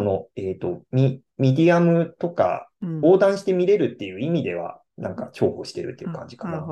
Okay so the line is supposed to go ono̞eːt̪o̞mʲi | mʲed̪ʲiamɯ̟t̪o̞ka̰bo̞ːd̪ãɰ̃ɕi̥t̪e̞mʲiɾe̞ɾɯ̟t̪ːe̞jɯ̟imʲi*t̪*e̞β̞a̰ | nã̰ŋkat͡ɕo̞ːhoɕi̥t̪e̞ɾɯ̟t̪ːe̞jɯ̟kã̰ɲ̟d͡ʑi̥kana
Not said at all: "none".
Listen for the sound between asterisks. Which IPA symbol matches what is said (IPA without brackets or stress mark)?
d̪